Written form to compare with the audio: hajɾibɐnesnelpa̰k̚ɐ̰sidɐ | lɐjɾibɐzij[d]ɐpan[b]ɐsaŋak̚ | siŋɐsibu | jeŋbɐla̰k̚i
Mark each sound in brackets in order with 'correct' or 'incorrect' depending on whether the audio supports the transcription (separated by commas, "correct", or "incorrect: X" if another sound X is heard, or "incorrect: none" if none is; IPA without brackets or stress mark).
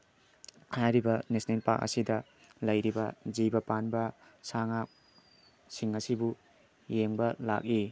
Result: incorrect: b, correct